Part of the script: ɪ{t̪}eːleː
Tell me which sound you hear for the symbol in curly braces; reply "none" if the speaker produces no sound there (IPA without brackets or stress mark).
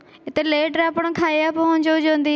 t̪